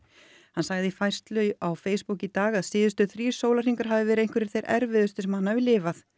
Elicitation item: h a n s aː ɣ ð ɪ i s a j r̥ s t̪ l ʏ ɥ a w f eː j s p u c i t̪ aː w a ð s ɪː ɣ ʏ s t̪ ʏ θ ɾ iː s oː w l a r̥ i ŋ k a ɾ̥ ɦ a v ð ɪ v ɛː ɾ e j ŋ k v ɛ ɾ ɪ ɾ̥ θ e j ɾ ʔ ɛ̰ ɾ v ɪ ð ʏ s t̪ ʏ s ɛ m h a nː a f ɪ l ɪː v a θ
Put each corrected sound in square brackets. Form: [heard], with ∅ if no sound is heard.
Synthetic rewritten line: h a n s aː ɣ ð ɪ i [f] a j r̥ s t̪ l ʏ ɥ a w f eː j s p u c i t̪ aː [ɣ] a ð s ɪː [ð] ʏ s t̪ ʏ θ ɾ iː s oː w l a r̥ i ŋ k a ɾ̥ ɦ a v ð ɪ v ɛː ɾ e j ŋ k v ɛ ɾ ɪ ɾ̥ θ e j ɾ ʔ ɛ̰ ɾ v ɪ ð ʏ s t̪ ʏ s ɛ m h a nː a [v] ɪ l ɪː v a θ